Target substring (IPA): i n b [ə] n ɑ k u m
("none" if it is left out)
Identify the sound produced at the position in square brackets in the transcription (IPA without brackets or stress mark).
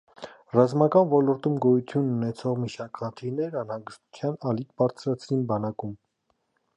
ɑ